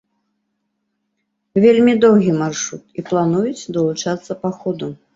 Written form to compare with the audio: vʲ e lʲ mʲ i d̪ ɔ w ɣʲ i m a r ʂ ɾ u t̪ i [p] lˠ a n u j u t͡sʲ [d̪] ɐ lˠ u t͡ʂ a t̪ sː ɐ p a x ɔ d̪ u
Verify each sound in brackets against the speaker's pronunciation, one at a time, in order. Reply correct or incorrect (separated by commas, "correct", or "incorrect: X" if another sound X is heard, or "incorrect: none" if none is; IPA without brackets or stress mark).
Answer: correct, correct